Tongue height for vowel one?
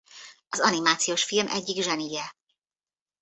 low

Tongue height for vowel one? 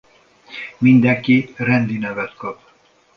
high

